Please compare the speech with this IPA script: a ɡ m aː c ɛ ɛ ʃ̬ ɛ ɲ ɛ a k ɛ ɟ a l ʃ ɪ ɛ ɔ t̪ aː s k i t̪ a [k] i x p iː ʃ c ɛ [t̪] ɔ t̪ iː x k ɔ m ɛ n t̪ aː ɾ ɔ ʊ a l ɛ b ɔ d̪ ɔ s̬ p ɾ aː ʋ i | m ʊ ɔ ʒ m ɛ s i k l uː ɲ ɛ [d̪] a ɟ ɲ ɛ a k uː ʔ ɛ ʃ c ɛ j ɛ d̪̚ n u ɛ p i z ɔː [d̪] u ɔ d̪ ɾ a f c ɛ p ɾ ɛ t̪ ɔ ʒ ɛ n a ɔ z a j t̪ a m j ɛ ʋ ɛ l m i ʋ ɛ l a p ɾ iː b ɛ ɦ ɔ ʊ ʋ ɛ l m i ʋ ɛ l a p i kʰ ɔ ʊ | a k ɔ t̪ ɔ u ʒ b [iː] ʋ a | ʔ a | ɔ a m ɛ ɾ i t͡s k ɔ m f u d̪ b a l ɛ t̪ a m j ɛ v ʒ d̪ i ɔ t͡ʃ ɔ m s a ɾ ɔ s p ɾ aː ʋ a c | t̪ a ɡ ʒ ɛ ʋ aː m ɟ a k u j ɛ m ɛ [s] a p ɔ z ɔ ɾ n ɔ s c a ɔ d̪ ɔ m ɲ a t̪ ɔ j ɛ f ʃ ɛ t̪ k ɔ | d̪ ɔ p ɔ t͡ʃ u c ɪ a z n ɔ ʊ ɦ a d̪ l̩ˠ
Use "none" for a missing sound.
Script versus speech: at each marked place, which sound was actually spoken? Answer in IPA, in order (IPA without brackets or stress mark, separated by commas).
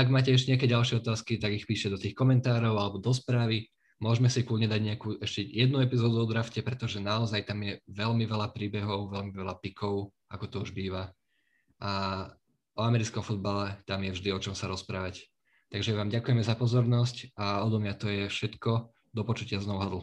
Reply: ɡ, d̪, d̪, d̪, iː, z